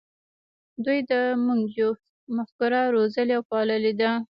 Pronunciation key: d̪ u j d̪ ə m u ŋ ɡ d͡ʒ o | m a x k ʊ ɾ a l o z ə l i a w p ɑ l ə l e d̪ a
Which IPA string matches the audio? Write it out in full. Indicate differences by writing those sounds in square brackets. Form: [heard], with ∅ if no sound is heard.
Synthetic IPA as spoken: d̪ u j d̪ ə m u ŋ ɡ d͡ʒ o | m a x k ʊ ɾ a [ɾ] o z ə l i a w p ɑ l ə l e d̪ a